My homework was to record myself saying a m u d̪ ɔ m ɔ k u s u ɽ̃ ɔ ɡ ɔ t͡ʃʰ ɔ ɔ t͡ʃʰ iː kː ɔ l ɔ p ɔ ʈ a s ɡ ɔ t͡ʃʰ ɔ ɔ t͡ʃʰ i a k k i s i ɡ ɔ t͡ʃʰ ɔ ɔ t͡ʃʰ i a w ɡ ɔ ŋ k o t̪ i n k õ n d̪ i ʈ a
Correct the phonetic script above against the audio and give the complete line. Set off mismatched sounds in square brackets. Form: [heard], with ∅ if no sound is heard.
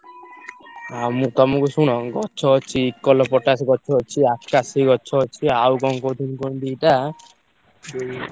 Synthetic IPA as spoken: a m u [t̪] ɔ m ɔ k u s u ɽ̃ ɔ ɡ ɔ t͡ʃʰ ɔ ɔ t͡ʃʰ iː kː ɔ l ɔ p ɔ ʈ a s ɡ ɔ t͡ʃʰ ɔ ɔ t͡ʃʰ i a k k [a] s i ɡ ɔ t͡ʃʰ ɔ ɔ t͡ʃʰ i a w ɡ ɔ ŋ k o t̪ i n k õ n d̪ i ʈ a